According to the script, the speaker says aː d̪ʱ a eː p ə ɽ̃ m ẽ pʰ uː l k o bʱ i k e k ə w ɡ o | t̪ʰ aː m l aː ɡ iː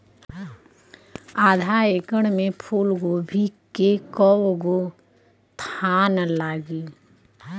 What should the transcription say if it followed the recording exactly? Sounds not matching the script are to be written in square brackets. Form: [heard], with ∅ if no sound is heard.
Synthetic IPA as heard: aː d̪ʱ a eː [k] ə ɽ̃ m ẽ pʰ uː l [ɡ] o bʱ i k e k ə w ɡ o | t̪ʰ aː [n] l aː ɡ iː

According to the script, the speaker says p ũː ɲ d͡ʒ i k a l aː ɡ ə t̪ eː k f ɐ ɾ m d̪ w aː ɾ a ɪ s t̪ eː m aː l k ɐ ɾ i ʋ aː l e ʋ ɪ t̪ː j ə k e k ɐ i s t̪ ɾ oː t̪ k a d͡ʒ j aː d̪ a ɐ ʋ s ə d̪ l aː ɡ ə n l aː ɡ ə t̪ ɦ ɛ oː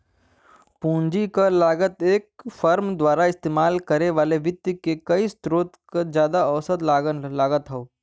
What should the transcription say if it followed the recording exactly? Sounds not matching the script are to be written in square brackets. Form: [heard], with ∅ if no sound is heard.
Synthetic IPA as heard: p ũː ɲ d͡ʒ i k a l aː ɡ ə t̪ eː k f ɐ ɾ m d̪ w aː ɾ a ɪ s t̪ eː m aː l k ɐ ɾ [e] ʋ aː l e ʋ ɪ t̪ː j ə k e k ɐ i s t̪ ɾ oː t̪ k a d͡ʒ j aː d̪ a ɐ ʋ s ə d̪ l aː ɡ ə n l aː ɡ ə t̪ ɦ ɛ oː

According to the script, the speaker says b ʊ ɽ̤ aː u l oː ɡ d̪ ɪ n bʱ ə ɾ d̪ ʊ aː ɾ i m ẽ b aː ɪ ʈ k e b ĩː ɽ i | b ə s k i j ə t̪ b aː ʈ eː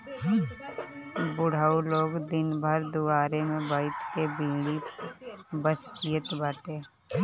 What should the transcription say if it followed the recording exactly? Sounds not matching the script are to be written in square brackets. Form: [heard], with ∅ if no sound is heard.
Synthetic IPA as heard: b ʊ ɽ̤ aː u l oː ɡ d̪ ɪ n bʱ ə ɾ d̪ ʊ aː ɾ [e] m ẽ b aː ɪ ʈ k e b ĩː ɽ i | b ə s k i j ə t̪ b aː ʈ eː

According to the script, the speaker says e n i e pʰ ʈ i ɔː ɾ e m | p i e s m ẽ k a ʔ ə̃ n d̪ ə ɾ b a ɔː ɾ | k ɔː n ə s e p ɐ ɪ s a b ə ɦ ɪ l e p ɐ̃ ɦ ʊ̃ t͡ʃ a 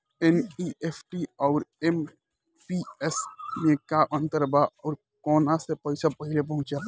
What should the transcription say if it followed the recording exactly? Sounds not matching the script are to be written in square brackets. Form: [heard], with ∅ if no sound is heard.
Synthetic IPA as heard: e n i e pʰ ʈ i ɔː ɾ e m | p i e s m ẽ k a ʔ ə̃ n [t̪] ə ɾ b a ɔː ɾ | k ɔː n [a] s e p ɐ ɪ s a [p] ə ɦ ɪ l e p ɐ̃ ɦ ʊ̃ t͡ʃ a

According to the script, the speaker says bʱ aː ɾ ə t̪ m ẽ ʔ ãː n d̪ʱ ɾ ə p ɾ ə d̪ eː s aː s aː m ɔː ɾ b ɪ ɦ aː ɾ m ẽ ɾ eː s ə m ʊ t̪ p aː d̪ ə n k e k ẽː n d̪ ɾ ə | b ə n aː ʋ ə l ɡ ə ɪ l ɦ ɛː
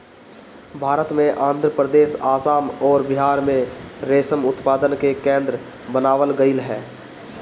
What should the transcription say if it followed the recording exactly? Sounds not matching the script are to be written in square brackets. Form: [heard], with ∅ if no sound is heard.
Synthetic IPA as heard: bʱ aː ɾ ə t̪ m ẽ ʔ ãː n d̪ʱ ɾ ə p ɾ ə d̪ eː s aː s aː m ɔː ɾ b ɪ ɦ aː ɾ m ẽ ɾ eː s ə m ʊ t̪ p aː d̪ ə n k e k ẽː n d̪ ɾ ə | b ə n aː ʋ ə l ɡ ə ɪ l ɦ ɛː

